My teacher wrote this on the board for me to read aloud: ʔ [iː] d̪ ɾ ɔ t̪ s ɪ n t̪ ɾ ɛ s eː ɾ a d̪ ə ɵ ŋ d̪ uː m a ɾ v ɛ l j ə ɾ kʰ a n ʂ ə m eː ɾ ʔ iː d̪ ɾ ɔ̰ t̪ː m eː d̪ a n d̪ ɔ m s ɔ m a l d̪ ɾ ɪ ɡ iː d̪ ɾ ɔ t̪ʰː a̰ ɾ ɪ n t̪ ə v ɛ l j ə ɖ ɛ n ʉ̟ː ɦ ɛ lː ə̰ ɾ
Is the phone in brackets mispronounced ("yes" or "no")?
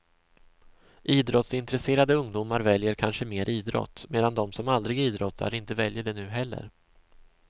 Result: no